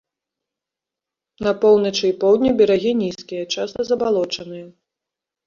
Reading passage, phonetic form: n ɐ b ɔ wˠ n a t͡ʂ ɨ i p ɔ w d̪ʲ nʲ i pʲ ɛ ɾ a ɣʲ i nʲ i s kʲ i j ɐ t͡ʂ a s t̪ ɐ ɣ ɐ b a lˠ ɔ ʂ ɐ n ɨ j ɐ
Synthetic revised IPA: n ɐ p ɔ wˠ n ɐ t͡ʂ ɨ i p ɔ w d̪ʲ nʲ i bʲ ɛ ɾ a ɣʲ i nʲ i s kʲ i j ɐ t͡ʂ a s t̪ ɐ z ɐ b a lˠ ɔ t͡ʂ ɐ n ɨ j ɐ